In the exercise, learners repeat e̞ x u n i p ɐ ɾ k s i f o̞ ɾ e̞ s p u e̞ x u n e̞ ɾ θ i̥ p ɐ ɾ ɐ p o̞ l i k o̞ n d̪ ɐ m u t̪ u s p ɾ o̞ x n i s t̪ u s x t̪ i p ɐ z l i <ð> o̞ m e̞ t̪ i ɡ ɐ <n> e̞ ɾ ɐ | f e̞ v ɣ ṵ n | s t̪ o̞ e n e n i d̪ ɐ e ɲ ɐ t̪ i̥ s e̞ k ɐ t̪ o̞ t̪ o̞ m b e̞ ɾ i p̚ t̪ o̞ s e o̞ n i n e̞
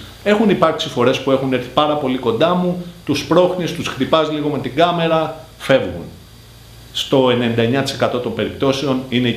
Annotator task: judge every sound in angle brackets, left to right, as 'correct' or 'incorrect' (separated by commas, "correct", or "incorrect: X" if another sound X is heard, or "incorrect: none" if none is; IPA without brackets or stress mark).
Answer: incorrect: ɣ, incorrect: m